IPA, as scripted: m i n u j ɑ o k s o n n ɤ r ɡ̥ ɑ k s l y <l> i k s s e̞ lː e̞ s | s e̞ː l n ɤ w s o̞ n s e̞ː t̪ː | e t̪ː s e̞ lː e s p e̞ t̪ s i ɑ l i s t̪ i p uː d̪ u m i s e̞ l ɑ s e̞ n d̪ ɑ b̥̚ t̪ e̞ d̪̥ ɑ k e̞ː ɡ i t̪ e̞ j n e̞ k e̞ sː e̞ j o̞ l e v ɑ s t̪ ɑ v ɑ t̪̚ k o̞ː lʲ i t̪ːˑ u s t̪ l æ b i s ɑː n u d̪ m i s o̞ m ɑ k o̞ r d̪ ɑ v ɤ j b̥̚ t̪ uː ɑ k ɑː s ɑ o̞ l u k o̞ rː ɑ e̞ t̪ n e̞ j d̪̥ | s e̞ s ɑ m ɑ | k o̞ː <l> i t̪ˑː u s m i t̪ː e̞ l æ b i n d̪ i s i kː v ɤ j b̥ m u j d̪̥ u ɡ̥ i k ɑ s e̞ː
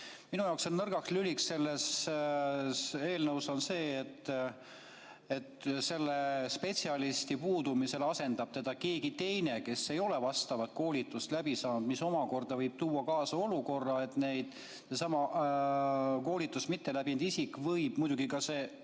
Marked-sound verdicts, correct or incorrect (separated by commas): correct, correct